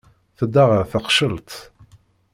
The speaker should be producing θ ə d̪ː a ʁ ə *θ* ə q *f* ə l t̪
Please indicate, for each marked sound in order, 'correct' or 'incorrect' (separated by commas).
correct, incorrect